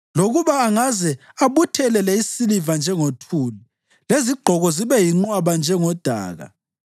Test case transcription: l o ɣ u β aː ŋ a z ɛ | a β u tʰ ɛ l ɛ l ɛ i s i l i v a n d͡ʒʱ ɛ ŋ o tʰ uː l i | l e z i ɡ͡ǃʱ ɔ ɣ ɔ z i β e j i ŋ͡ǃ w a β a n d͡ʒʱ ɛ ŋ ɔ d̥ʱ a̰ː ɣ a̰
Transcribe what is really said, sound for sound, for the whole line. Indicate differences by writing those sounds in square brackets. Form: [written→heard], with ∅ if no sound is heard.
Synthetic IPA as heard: l o ɣ u β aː ŋ a z ɛ | a β u tʰ ɛ l ɛ l ɛ i s i l i v a n d͡ʒʱ ɛ ŋ o tʰ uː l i | l e z i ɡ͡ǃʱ ɔ ɣ ɔ z i β [e→ɛ] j i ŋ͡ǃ w a β a n d͡ʒʱ ɛ ŋ ɔ d̥ʱ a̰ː ɣ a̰